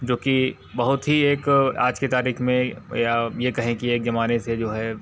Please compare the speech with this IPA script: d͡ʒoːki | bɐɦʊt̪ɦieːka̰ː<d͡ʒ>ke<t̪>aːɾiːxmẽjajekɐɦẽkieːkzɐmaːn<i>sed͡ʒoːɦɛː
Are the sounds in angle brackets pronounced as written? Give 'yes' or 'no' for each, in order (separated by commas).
yes, yes, no